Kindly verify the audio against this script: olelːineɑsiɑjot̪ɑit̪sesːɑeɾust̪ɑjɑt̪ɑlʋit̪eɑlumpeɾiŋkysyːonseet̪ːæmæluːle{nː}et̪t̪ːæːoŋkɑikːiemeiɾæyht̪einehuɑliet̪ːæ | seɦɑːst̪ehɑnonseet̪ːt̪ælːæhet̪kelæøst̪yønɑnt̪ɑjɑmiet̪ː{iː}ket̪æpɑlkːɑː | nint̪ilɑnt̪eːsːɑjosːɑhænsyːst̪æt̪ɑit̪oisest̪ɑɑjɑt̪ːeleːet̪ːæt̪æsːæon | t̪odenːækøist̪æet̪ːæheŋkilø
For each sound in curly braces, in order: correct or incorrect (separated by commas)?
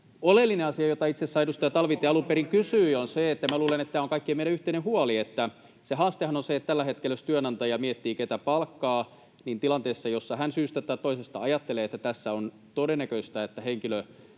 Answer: incorrect, correct